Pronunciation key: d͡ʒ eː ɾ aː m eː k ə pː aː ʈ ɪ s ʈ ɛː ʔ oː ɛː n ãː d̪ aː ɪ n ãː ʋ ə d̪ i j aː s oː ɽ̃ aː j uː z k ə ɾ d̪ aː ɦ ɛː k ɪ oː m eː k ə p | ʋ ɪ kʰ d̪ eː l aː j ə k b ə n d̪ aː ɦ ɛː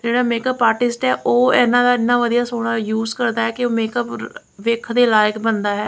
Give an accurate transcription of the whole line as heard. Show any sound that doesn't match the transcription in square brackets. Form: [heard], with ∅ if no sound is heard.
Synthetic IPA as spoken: d͡ʒ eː [ɽ] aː m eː k ə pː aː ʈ ɪ s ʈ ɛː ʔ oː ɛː n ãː d̪ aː ɪ n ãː ʋ ə d̪ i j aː s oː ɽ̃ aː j uː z k ə ɾ d̪ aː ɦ ɛː k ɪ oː m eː k ə p | ʋ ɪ kʰ d̪ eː l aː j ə k b ə n d̪ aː ɦ ɛː